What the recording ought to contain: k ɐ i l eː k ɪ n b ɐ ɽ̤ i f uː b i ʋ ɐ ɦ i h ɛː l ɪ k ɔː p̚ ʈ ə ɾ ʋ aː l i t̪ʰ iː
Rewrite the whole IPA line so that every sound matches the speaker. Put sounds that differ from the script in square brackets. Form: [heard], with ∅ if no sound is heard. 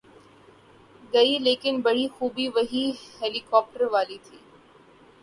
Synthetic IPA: [ɡ] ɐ i l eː k ɪ n b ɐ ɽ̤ i [x] uː b i ʋ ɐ ɦ i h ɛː l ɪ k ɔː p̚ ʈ ə ɾ ʋ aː l i t̪ʰ iː

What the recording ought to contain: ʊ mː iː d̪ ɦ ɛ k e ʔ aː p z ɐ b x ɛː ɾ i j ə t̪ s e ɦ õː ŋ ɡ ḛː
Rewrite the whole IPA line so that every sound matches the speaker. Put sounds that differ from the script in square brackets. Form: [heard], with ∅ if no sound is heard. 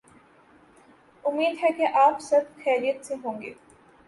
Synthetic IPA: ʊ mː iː d̪ ɦ ɛ k e ʔ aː p [s] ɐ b x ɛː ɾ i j ə t̪ s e ɦ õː ŋ ɡ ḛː

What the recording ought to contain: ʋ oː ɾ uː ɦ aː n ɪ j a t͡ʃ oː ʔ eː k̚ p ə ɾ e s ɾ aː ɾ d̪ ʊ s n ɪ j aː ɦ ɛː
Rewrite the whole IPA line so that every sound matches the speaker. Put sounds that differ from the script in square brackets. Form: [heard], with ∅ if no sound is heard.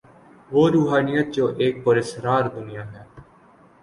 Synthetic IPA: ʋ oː ɾ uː ɦ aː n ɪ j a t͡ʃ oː ʔ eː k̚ p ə ɾ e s ɾ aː ɾ d̪ ʊ [∅] n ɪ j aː ɦ ɛː

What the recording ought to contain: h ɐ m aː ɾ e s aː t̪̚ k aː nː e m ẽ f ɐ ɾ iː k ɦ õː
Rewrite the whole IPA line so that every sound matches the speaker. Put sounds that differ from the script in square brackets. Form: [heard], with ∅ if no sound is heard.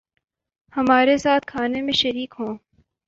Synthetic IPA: h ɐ m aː ɾ e s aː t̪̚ [kʰ] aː [n] e m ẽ [ʃ] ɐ ɾ iː k ɦ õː

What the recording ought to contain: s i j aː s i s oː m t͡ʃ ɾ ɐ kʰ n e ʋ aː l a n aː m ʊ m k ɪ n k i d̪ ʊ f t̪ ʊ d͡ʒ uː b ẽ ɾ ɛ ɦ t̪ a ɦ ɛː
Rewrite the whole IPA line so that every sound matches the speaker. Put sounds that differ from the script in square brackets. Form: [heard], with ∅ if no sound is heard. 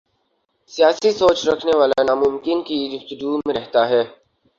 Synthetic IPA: s i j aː s i s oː [∅] t͡ʃ ɾ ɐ kʰ n e ʋ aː l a n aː m ʊ m k ɪ n k i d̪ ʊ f t̪ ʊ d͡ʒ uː [m] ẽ ɾ ɛ ɦ t̪ a ɦ ɛː

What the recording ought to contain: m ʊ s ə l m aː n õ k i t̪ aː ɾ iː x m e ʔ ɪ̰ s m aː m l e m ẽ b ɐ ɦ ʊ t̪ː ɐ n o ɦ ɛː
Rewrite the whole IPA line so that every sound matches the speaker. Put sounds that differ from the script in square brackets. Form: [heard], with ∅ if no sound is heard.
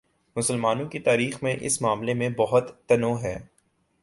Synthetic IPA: m ʊ s ə l m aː n õ k i t̪ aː ɾ iː x m [ẽ] ʔ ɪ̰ s m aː m l e m ẽ b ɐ ɦ ʊ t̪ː ɐ n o ɦ ɛː

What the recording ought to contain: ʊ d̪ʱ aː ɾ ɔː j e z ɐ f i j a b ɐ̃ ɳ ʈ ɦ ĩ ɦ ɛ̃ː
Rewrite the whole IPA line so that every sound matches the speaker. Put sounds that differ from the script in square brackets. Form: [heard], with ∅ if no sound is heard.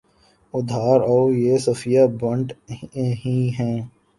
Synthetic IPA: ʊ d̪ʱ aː ɾ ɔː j e [s] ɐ f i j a b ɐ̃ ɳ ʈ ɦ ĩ ɦ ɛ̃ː

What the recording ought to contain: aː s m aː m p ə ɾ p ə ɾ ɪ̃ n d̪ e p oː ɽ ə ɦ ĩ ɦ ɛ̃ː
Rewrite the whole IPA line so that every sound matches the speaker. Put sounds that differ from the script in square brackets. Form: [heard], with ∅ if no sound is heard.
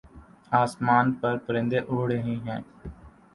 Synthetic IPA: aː s m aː [n] p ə ɾ p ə ɾ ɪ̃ n d̪ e [ʔ] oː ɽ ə ɦ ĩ ɦ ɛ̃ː

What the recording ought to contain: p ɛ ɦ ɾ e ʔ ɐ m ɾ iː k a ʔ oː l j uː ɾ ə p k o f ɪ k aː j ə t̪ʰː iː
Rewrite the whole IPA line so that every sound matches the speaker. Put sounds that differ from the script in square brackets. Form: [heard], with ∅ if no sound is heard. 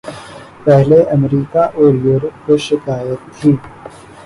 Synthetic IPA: p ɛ ɦ [l] e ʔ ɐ m ɾ iː k a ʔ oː [ɾ] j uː ɾ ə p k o [ʃ] ɪ k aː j ə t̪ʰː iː

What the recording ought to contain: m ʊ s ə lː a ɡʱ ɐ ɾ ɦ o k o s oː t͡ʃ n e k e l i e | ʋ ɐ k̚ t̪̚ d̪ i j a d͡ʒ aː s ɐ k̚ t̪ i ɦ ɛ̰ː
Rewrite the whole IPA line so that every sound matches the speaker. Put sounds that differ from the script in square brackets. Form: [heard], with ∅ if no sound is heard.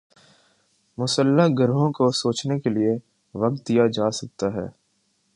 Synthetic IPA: m ʊ s ə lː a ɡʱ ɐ ɾ ɦ [õ] k o s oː t͡ʃ n e k e l i e | ʋ ɐ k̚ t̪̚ d̪ i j a d͡ʒ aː s ɐ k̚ t̪ [a] ɦ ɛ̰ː

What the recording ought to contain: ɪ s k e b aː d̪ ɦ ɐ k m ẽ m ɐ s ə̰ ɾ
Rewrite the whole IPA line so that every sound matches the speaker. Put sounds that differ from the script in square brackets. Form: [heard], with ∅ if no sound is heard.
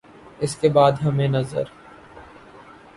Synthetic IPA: ɪ s k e b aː d̪ ɦ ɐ [∅] m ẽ [n] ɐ [z] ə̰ ɾ

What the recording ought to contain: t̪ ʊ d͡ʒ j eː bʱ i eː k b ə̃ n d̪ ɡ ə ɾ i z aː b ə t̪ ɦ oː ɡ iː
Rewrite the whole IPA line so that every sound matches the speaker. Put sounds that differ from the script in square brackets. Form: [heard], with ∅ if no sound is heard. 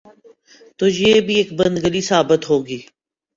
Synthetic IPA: t̪ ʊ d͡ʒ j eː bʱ i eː k b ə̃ n d̪ ɡ ə [l] i [s] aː b ə t̪ ɦ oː ɡ iː

